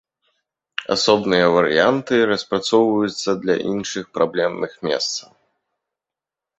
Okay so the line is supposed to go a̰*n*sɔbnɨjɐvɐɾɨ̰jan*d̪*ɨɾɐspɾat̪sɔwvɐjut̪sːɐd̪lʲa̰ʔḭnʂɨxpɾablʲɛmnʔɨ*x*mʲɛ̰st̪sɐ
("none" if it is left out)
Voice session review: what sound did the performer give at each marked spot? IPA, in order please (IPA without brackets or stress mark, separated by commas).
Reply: none, t̪, x